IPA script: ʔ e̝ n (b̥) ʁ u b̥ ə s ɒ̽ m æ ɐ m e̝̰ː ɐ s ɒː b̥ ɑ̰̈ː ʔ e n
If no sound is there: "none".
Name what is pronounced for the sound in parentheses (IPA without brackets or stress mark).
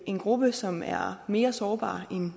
ɡ̥